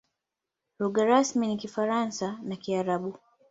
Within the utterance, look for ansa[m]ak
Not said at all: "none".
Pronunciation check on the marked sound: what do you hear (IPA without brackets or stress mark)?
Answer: n